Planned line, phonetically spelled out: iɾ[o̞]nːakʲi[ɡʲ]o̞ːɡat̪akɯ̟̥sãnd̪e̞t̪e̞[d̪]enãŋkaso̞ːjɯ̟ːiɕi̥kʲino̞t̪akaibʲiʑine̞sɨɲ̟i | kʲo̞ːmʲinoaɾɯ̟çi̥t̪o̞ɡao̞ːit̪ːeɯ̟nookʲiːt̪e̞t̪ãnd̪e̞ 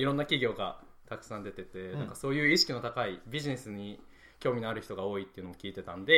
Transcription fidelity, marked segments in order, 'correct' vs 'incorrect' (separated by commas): incorrect, correct, incorrect